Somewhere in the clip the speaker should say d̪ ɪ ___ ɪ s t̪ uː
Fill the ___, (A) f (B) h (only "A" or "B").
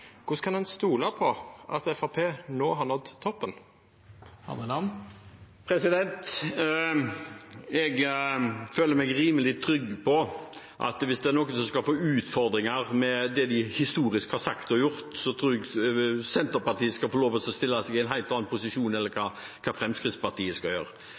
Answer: B